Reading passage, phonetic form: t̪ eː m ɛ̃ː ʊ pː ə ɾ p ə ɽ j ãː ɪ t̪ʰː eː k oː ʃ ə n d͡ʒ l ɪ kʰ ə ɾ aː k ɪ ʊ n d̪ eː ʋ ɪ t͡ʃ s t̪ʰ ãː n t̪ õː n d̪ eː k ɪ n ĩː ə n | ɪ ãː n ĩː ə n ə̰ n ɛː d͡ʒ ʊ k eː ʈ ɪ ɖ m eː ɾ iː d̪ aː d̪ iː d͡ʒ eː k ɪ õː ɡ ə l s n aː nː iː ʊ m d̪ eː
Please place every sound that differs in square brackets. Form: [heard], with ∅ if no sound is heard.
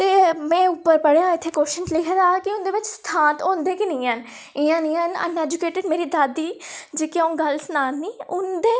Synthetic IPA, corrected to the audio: t̪ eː m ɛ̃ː ʊ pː ə ɾ p ə ɽ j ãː ɪ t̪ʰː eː k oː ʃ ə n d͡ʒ l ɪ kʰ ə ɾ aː k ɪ ʊ n d̪ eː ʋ ɪ t͡ʃ s t̪ʰ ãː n t̪ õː n d̪ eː k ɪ n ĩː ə n | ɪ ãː n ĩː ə n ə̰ n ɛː d͡ʒ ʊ k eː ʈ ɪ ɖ m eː ɾ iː d̪ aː d̪ iː d͡ʒ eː k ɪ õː ɡ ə l s n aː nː iː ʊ [n] d̪ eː